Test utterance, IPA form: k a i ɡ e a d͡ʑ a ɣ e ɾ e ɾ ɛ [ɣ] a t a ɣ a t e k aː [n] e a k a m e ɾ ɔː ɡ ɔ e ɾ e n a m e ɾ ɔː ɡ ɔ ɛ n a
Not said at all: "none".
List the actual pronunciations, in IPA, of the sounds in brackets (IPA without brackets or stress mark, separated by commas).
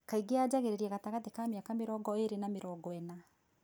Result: ɣ, m